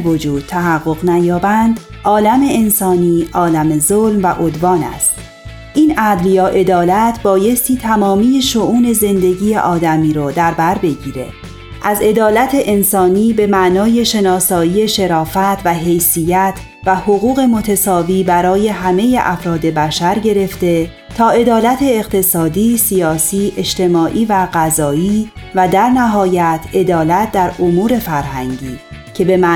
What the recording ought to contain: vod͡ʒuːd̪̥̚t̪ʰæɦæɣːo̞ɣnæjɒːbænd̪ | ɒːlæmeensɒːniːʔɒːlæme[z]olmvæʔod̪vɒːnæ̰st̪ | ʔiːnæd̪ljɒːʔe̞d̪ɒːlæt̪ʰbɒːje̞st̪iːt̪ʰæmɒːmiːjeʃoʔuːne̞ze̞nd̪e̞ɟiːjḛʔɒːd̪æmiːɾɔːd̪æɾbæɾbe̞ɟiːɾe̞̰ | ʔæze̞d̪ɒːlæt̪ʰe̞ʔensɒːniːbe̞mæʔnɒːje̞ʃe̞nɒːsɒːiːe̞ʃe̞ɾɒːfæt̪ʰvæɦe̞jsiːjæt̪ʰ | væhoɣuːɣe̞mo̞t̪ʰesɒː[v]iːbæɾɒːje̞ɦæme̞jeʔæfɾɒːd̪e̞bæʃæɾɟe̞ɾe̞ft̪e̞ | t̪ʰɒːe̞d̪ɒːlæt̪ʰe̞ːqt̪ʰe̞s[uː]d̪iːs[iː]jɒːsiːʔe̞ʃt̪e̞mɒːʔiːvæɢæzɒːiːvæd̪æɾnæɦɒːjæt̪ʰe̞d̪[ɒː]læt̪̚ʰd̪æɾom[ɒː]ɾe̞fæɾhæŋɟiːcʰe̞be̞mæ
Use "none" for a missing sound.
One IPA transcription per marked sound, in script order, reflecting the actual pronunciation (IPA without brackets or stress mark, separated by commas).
z, v, ɒː, i, ɒː, uː